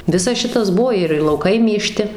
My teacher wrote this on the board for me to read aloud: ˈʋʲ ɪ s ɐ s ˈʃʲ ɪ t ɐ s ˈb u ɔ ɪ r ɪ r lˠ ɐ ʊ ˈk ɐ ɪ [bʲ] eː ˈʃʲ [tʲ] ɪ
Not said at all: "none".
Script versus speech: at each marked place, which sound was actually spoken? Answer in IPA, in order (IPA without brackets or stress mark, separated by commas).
mʲ, tʲ